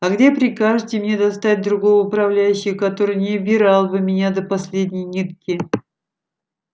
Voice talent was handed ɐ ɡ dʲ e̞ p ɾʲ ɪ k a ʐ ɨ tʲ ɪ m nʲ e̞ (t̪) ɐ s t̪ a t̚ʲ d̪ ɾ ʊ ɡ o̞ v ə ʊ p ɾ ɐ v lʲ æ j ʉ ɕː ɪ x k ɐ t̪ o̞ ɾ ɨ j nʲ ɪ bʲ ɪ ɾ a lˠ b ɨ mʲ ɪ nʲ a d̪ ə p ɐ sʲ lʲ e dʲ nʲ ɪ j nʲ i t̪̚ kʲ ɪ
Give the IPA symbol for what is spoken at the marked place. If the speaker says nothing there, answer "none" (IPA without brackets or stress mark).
d̪